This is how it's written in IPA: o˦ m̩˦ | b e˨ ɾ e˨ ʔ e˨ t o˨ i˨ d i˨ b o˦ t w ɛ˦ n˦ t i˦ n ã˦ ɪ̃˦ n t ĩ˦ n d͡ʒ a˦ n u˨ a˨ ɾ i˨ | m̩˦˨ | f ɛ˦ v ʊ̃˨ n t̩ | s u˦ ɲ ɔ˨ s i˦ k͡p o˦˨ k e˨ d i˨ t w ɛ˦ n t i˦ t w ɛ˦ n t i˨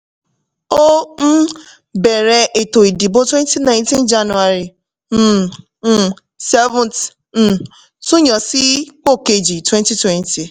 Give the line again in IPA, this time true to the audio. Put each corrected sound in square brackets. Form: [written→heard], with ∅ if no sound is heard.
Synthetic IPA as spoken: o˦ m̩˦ | b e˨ ɾ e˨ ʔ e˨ t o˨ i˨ d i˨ b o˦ t w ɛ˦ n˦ t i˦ n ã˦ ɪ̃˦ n t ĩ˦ n d͡ʒ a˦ n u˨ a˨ ɾ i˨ | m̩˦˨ | [f→s] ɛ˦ v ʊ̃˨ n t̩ | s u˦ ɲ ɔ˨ s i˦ k͡p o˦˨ k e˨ [d→d͡ʒ] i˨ t w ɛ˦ n t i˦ t w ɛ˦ n t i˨